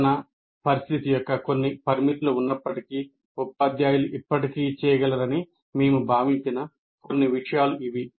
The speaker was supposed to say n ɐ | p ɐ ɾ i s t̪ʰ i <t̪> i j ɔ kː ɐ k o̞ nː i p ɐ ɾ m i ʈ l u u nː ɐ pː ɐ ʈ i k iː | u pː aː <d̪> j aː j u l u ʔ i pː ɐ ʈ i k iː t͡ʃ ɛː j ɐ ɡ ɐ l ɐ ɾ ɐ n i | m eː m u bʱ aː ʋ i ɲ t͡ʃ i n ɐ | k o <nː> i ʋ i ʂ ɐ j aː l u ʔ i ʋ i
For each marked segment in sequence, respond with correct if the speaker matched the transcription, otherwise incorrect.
correct, correct, correct

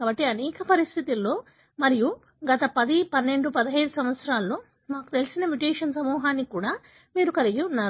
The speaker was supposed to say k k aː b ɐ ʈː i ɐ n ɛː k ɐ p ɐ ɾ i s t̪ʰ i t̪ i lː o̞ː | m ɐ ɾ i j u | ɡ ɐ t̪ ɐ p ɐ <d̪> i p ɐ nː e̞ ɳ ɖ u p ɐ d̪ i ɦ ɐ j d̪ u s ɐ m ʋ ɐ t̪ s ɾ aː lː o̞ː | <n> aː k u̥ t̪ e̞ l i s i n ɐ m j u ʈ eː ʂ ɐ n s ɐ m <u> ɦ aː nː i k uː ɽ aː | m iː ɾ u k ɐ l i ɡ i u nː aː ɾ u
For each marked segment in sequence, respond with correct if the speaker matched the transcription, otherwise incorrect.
correct, incorrect: m, incorrect: uː

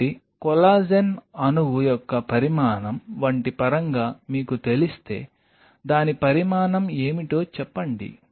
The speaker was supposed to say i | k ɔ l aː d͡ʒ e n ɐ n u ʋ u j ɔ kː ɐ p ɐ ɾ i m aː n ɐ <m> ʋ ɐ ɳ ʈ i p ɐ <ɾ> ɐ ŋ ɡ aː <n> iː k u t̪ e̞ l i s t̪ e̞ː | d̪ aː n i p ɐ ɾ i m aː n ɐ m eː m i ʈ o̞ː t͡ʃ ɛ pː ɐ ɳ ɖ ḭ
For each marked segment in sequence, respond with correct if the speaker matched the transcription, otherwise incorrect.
correct, correct, incorrect: m

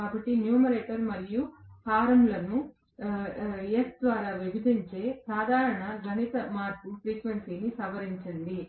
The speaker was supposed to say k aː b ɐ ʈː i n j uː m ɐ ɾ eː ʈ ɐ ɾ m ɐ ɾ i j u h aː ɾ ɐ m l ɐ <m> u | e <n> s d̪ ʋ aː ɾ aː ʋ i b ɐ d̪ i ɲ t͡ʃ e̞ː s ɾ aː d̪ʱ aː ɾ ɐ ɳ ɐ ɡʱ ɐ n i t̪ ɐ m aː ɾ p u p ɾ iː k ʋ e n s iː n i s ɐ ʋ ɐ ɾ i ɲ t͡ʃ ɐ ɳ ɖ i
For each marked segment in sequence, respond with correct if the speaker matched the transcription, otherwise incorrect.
incorrect: n, incorrect: none

